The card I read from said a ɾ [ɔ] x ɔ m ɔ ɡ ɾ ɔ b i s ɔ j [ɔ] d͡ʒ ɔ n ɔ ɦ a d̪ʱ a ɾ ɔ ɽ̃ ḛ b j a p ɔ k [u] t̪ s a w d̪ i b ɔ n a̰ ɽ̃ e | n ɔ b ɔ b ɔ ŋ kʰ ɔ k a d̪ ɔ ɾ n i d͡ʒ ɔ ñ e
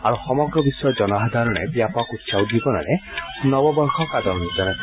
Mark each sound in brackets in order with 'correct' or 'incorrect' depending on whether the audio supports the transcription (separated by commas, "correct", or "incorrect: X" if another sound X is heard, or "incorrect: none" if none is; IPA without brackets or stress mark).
incorrect: u, correct, correct